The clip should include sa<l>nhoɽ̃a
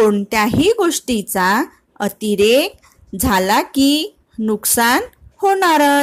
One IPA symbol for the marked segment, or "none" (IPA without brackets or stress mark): none